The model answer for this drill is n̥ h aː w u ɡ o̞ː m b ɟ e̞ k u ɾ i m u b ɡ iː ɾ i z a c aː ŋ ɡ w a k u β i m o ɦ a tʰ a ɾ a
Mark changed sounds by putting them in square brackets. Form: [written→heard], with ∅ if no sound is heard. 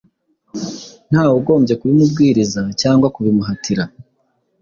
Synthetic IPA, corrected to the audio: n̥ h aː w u ɡ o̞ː m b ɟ e̞ k u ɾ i m u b ɡ iː ɾ i z a c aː ŋ ɡ w a k u β i m [o→u] ɦ a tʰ [a→i] ɾ a